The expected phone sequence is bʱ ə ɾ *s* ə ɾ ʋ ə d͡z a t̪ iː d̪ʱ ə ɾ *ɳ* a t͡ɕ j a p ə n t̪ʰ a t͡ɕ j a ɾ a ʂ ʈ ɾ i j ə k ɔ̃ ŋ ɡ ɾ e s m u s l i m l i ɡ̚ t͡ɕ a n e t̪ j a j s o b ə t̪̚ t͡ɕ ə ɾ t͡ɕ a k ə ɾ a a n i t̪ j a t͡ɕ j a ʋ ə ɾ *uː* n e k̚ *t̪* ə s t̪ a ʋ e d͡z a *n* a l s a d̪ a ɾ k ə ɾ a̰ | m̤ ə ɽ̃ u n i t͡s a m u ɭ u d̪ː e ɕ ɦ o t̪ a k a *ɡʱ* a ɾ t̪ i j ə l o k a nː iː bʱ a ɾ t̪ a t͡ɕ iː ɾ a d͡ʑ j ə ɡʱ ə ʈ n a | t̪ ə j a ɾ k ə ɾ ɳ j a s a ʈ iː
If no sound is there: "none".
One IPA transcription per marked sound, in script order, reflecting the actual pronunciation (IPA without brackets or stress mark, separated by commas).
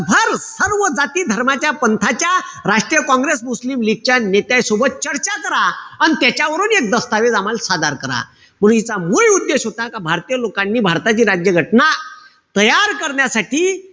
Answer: s, m, uː, d̪, m, bʱ